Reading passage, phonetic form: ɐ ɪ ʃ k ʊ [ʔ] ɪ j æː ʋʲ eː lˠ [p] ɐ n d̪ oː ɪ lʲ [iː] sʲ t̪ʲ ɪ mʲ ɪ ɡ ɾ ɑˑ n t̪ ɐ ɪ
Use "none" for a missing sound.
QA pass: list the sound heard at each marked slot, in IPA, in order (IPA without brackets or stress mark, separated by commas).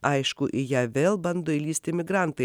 ʔ, b, iː